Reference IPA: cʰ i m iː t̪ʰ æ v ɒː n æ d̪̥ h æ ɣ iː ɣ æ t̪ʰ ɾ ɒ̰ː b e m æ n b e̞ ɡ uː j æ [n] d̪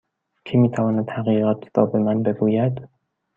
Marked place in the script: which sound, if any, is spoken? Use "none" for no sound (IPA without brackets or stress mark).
none